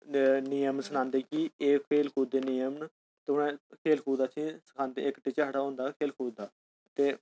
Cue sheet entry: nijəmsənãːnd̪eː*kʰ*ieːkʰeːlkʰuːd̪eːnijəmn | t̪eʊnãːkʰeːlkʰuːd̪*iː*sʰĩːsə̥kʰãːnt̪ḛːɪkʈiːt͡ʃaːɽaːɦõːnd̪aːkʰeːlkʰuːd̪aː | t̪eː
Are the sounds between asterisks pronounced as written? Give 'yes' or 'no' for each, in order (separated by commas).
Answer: no, no